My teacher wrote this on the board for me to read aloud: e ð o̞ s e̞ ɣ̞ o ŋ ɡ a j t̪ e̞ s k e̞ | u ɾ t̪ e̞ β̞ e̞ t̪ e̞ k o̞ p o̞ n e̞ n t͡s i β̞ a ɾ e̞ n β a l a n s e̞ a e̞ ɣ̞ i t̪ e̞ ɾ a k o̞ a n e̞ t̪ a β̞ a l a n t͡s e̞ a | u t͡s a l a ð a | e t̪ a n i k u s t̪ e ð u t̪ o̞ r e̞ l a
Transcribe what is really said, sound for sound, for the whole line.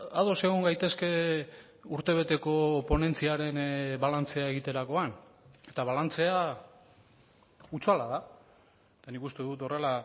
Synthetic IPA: a ð o̞ s e̞ ɣ̞ o ŋ ɡ a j t̪ e̞ s k e̞ | u ɾ t̪ e̞ β̞ e̞ t̪ e̞ k o̞ p o̞ n e̞ n t͡s i a ɾ e̞ n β a l a n t͡s e̞ a e̞ ɣ̞ i t̪ e̞ ɾ a k o̞ a n e̞ t̪ a β̞ a l a n t͡s e̞ a | u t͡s a l a ð a | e t̪ a n i k u s t̪ e ð u t̪ o̞ r e̞ l a